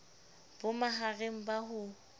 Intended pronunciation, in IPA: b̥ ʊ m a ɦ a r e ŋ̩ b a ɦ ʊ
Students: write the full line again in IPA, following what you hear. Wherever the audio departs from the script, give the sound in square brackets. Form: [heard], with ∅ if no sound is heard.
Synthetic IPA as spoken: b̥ ʊ m a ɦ a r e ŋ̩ b a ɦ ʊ